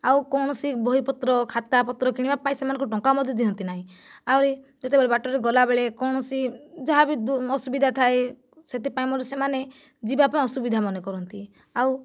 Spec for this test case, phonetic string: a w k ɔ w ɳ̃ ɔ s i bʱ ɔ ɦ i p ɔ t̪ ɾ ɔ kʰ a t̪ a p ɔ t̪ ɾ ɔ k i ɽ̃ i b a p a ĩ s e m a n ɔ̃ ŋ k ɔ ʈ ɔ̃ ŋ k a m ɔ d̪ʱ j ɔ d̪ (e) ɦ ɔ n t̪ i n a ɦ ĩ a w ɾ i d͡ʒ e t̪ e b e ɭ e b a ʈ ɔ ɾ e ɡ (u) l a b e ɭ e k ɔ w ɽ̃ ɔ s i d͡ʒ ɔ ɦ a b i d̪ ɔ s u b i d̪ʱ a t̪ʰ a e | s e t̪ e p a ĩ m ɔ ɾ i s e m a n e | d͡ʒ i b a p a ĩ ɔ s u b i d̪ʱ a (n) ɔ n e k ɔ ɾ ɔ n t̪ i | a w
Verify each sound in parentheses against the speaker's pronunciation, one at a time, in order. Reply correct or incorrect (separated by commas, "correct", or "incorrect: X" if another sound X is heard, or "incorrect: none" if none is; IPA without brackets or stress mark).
incorrect: i, incorrect: ɔ, incorrect: m